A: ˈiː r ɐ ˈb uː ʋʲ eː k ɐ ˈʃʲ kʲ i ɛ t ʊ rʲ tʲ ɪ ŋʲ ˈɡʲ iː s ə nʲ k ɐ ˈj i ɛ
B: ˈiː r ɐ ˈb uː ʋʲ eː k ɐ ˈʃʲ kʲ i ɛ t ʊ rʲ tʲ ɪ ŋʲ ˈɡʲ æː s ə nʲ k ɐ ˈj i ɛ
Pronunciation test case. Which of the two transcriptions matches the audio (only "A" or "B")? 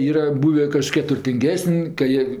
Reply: B